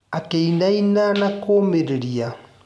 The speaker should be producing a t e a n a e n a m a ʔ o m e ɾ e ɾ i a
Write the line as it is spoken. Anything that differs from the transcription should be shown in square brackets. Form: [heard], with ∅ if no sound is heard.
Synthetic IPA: a [k] e [i] n a [i] n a [n] a [k] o m e ɾ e ɾ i a